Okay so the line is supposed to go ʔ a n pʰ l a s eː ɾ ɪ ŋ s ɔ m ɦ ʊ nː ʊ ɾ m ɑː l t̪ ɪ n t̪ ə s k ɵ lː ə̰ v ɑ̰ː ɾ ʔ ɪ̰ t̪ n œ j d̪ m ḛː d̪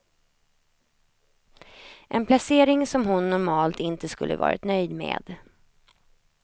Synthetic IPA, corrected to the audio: ʔ ɛ n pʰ l a s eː ɾ ɪ ŋ s ɔ m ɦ ʊ nː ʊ ɾ m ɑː l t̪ ɪ n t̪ ə s k ɵ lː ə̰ v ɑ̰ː ɾ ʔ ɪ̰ t̪ n œ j d̪ m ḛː d̪